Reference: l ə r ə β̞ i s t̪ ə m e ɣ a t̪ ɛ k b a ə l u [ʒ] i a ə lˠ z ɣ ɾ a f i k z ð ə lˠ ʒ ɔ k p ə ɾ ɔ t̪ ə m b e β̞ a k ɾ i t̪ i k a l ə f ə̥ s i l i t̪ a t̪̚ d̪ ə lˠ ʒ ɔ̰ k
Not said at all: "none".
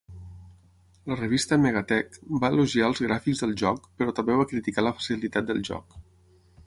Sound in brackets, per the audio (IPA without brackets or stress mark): ʒ